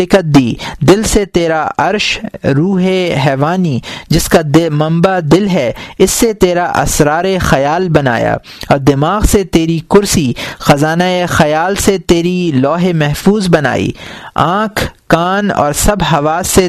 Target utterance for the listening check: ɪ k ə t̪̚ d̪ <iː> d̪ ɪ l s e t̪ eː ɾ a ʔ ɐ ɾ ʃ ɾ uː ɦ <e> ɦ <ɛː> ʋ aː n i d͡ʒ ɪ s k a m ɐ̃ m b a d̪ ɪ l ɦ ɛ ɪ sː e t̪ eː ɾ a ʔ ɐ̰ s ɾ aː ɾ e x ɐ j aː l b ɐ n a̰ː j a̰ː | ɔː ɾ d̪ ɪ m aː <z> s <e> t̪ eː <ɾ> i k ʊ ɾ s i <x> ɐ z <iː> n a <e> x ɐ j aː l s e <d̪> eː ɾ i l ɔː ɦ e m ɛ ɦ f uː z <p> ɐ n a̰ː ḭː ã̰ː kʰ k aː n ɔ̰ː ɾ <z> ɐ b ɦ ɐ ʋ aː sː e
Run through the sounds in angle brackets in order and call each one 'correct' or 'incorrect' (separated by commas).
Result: correct, correct, correct, incorrect, correct, correct, correct, incorrect, correct, incorrect, incorrect, incorrect